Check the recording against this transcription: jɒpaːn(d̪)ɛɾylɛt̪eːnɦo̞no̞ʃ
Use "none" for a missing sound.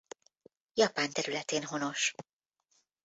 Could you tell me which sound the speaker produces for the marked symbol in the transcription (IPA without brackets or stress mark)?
t̪